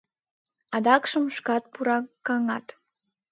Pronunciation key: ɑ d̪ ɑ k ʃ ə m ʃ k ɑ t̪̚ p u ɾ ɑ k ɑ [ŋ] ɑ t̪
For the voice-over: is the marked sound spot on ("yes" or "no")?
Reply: yes